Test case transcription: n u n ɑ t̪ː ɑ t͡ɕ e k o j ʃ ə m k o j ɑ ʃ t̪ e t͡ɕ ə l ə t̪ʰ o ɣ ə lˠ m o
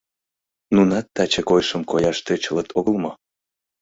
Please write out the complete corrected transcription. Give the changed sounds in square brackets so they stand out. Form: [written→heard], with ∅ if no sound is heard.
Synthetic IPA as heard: n u n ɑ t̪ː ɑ t͡ɕ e k o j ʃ ə m k o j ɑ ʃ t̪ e t͡ɕ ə l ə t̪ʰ o ɣ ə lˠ m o